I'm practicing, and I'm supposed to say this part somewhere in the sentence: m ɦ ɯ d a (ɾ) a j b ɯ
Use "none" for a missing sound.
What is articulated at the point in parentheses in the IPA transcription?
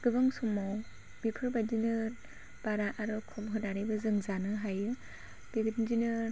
ɾ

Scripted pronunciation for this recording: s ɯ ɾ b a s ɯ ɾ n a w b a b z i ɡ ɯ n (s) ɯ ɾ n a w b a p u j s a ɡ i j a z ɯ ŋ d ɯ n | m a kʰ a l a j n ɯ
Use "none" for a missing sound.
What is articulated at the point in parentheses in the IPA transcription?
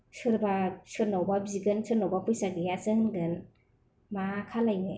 s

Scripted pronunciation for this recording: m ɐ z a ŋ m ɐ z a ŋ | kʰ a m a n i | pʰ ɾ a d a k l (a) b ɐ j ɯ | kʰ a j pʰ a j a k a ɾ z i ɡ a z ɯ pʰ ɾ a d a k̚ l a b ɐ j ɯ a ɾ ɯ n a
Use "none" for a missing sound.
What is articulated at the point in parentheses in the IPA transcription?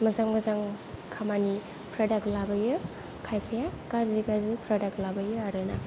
a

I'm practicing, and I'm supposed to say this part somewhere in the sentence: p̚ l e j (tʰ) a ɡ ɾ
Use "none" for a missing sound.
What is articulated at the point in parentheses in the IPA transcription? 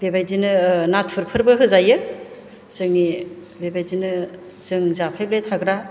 tʰ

